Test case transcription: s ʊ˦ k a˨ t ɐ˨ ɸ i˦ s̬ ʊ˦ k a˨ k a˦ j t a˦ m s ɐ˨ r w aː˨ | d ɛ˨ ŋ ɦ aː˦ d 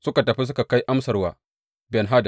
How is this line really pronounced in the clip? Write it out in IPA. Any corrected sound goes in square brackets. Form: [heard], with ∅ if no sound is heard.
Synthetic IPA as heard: s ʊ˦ k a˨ t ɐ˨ ɸ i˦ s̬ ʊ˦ k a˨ k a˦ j [ʔ] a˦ m s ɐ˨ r w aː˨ | [b] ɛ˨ [n] ɦ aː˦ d